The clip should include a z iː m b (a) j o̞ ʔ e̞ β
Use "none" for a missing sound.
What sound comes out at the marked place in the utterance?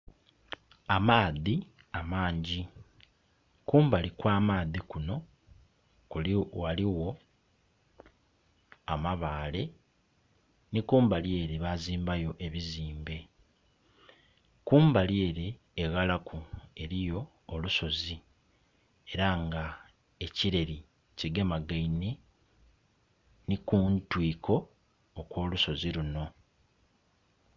a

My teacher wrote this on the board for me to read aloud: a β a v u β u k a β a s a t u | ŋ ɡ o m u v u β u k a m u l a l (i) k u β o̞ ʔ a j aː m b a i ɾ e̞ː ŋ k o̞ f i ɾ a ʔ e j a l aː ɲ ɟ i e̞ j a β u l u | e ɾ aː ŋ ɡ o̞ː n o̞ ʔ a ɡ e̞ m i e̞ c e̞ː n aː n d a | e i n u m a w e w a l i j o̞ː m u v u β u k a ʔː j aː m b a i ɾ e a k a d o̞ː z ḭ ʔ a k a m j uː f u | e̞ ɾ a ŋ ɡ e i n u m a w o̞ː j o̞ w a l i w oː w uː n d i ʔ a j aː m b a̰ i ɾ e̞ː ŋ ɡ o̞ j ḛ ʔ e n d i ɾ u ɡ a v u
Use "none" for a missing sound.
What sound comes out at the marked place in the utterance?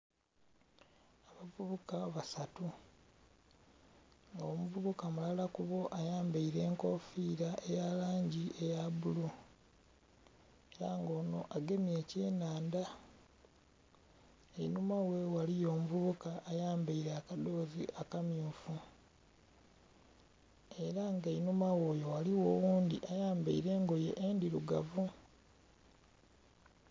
a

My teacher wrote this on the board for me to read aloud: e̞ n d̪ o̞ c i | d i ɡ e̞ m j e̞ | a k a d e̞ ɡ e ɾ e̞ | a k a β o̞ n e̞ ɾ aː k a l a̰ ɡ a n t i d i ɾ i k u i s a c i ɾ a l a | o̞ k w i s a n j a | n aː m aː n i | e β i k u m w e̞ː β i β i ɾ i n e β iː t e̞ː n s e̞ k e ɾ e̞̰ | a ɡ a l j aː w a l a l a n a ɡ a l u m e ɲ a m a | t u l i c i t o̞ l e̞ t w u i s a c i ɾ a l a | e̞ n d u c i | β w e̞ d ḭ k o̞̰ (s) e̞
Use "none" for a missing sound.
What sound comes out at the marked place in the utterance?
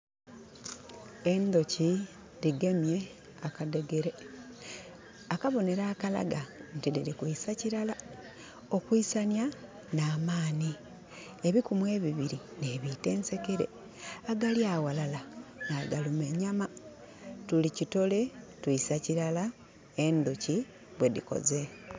z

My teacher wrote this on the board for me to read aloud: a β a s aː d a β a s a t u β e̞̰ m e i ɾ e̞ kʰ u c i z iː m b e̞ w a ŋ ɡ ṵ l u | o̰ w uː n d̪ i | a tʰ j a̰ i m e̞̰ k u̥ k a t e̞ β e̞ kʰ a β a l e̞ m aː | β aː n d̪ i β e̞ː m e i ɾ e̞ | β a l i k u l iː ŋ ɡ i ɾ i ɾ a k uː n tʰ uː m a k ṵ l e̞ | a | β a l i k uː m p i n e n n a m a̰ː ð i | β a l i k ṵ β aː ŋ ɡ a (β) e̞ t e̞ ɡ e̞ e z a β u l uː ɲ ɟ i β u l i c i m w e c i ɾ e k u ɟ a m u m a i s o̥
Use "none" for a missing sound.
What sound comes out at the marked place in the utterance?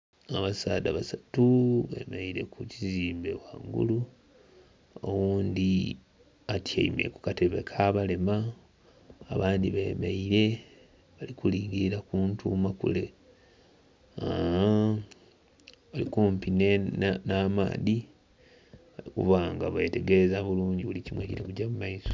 β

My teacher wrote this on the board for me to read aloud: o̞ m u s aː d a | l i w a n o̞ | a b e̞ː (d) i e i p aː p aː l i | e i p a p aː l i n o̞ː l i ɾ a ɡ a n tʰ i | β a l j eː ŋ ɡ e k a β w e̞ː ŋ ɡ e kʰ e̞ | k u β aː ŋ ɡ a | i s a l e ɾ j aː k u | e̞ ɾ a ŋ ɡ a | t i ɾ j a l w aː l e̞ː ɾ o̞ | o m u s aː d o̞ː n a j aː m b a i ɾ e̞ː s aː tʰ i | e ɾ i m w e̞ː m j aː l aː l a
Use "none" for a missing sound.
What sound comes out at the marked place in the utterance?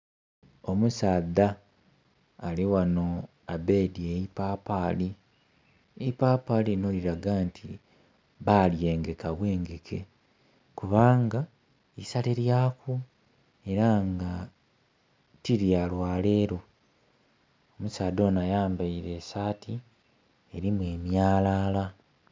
d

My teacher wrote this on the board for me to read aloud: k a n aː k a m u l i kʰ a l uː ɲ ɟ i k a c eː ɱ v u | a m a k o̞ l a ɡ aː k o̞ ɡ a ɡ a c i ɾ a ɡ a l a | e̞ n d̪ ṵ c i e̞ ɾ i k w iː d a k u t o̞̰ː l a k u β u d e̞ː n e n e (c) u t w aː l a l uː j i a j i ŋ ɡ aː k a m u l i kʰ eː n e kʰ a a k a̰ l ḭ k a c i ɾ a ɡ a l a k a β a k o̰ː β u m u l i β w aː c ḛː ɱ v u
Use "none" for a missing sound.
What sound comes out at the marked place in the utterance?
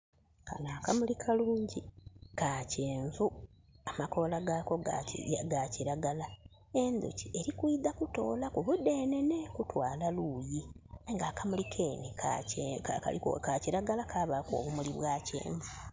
k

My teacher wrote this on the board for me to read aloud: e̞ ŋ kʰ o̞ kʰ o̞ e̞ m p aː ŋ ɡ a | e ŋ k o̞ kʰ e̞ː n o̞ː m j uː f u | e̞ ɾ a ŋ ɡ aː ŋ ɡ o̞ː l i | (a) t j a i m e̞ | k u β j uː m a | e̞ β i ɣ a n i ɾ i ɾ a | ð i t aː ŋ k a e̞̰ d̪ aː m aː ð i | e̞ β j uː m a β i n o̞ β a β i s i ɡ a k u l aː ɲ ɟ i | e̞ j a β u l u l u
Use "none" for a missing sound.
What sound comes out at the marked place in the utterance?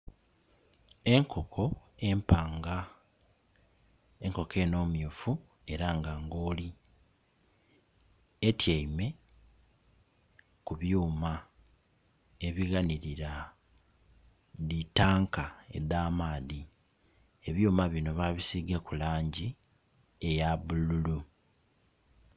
e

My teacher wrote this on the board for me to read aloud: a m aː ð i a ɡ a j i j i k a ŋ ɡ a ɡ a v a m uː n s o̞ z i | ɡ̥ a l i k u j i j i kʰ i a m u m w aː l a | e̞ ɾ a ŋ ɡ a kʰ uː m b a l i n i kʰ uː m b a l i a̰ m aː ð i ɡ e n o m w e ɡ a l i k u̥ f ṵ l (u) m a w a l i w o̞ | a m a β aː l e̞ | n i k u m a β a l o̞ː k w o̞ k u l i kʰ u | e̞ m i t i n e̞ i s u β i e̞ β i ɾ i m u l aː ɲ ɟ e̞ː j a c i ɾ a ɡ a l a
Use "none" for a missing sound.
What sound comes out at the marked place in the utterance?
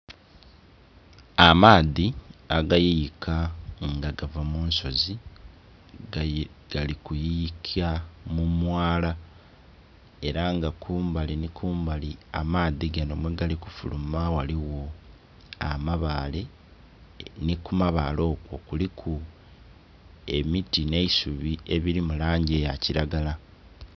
u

